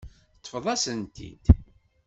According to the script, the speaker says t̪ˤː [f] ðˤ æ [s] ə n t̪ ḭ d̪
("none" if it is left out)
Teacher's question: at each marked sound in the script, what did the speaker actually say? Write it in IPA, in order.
f, s

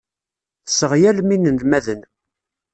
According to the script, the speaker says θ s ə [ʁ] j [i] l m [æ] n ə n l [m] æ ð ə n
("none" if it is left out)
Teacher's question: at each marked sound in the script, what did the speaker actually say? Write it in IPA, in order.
ʁ, æ, i, m

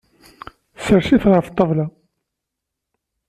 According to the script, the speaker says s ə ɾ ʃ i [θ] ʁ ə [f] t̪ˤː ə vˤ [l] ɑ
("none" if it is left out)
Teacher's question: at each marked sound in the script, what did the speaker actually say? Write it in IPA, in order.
θ, f, l

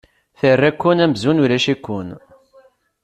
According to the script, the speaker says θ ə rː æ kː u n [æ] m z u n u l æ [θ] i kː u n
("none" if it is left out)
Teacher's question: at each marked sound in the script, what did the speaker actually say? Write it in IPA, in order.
æ, ʃ

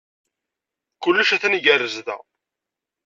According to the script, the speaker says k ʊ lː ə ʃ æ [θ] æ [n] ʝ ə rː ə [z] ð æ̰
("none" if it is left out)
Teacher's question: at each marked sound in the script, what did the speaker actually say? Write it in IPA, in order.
θ, n, z

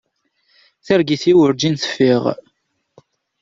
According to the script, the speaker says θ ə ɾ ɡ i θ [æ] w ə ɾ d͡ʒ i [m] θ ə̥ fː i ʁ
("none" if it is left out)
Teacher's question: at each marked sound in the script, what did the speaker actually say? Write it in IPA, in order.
i, n

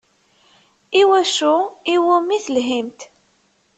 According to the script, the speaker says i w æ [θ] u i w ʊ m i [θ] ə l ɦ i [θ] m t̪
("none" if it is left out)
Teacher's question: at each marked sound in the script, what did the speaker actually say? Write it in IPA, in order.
ʃ, θ, none

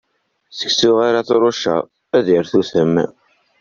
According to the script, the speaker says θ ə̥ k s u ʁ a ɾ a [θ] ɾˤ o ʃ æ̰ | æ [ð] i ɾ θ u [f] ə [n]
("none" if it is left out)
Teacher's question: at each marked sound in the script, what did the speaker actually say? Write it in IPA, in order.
θ, ð, θ, m

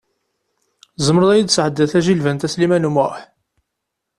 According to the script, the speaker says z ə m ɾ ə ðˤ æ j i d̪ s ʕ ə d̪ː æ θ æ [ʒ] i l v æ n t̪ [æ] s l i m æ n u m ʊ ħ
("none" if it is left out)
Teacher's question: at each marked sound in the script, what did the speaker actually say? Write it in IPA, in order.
ʒ, æ

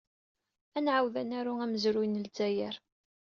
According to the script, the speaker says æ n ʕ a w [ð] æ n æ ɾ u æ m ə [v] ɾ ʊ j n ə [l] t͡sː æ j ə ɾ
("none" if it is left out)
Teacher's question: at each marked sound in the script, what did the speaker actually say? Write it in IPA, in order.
ð, z, l

